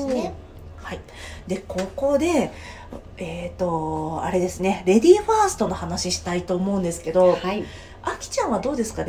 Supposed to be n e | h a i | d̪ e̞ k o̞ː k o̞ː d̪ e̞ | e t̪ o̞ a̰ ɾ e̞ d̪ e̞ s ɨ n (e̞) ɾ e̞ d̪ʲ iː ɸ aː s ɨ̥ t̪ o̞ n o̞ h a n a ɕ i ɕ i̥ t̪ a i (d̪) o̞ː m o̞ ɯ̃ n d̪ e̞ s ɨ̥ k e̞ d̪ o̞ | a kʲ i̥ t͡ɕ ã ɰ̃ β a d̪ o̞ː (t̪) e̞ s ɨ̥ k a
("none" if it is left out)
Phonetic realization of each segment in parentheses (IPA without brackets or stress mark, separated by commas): e̞, t̪, d̪